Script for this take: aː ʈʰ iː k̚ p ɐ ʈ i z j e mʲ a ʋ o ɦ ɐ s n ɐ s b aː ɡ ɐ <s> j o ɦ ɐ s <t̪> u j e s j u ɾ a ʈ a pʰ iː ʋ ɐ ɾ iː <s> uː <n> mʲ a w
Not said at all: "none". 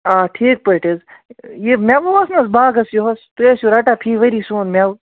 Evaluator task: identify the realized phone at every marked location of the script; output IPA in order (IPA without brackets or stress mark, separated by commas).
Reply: s, t̪, s, n